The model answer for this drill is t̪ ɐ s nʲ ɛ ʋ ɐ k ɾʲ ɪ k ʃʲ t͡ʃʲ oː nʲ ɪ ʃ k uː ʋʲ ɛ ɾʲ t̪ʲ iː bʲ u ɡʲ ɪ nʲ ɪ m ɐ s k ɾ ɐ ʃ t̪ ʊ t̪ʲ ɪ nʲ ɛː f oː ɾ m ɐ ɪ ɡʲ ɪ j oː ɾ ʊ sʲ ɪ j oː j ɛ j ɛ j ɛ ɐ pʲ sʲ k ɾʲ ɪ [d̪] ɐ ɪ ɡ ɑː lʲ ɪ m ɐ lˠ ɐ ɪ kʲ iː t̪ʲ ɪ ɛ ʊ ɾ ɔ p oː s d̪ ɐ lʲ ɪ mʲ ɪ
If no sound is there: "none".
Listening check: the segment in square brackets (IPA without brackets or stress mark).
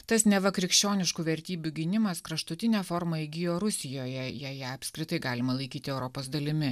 t̪